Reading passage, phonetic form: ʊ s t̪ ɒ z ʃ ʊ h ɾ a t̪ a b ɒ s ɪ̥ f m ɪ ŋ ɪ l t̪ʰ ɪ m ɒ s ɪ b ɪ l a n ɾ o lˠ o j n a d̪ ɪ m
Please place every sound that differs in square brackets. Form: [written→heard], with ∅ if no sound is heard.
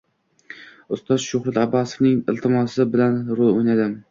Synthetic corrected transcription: ʊ s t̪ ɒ z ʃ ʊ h ɾ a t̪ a b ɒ s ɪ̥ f [m→n] ɪ ŋ ɪ l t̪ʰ ɪ m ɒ s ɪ b ɪ l a n ɾ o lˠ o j n a d̪ ɪ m